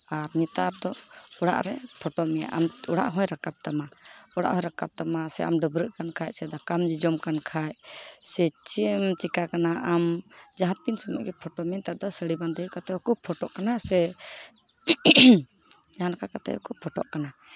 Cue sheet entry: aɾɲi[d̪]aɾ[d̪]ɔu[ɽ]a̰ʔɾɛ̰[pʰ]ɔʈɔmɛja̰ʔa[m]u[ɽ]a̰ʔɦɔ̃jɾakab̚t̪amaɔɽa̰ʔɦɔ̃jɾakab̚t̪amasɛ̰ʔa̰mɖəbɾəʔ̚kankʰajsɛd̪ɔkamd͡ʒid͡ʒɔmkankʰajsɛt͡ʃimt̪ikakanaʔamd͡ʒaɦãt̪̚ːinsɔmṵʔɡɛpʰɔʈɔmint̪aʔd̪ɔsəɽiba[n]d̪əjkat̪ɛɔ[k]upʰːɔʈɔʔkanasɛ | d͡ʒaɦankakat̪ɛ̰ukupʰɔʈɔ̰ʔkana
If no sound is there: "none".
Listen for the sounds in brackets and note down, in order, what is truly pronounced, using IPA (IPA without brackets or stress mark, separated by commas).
t̪, d̪, ɽ, pʰ, m, ɽ, n, k